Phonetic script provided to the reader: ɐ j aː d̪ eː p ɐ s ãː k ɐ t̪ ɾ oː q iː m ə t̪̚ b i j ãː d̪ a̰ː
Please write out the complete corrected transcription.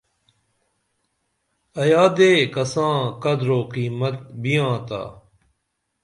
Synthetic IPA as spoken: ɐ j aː d̪ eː k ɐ s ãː k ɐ d̪ ɾ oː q iː m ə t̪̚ b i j ãː t̪ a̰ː